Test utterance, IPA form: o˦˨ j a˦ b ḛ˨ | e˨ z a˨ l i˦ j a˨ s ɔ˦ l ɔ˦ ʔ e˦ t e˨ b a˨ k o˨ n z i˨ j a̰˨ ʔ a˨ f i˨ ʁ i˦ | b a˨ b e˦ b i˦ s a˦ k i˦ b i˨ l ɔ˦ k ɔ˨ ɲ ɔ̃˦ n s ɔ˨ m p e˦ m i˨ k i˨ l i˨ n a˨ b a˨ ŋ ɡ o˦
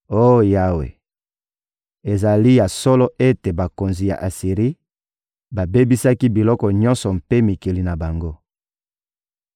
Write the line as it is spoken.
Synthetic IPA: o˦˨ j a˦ w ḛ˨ | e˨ z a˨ l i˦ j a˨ s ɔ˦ l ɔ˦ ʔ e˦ t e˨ b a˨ k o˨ n z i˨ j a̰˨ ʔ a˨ s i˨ ʁ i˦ | b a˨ b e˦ b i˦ s a˦ k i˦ b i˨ l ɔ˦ k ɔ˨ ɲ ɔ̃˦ n s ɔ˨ m p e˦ m i˨ k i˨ l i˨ n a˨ b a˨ ŋ ɡ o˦